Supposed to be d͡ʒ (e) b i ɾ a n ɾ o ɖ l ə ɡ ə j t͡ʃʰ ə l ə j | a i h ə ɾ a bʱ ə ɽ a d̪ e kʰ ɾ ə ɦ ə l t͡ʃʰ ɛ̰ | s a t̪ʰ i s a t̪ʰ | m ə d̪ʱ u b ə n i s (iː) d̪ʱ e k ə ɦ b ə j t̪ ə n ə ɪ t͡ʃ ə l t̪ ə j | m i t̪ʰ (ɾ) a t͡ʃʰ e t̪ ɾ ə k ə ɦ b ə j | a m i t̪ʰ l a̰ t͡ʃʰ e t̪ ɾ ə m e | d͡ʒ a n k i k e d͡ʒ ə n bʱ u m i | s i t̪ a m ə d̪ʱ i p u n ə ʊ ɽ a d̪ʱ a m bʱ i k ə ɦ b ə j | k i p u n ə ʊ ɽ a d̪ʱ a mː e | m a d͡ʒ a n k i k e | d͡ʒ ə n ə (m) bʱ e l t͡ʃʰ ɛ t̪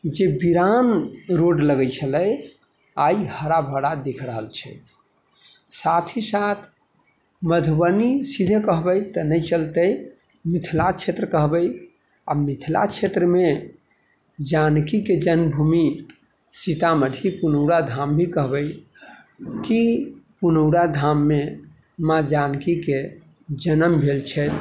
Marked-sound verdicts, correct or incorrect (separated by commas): correct, incorrect, incorrect, correct